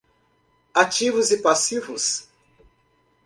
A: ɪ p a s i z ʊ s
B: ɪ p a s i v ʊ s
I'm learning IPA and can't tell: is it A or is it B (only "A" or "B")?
B